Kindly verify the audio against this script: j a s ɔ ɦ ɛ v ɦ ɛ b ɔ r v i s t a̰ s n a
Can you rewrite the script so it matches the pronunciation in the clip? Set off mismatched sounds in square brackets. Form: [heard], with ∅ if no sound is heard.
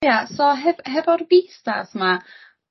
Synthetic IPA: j a s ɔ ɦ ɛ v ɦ ɛ [v] ɔ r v i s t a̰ s [m] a